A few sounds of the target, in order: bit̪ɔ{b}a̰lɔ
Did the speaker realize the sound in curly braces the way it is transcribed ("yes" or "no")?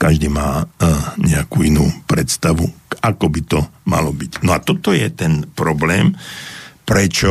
no